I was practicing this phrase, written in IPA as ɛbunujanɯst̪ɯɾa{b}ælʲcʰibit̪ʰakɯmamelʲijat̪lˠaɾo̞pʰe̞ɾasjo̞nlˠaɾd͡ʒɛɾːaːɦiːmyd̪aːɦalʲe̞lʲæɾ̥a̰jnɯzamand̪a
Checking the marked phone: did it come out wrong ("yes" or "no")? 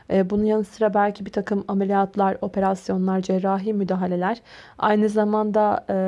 no